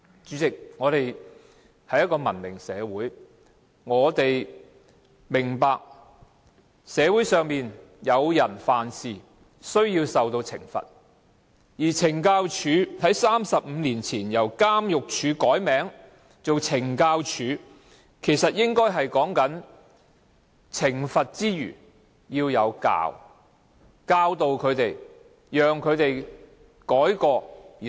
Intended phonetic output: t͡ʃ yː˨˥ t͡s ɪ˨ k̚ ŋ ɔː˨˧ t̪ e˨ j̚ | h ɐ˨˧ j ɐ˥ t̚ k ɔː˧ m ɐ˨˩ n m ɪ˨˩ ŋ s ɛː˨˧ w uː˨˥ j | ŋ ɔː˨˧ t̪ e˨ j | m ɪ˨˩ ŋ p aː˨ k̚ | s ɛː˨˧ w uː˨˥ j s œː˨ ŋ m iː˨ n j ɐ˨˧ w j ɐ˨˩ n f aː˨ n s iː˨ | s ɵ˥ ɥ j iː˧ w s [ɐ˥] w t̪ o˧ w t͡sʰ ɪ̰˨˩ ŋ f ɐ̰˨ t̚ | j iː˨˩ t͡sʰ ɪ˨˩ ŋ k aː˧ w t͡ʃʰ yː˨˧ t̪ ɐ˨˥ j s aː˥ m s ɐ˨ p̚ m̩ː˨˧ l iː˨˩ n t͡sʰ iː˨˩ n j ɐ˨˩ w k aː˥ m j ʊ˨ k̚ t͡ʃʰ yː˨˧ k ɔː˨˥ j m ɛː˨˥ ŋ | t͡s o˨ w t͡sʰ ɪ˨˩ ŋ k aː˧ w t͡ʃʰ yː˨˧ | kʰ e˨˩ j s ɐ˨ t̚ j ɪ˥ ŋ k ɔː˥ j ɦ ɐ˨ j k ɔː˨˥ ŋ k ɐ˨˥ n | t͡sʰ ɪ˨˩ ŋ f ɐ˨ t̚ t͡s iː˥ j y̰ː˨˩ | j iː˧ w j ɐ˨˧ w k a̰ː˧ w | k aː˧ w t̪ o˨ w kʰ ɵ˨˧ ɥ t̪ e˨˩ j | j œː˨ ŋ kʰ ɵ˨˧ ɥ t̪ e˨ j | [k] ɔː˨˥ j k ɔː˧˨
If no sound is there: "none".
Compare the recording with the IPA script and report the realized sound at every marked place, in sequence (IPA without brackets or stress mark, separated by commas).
ɐ˨, k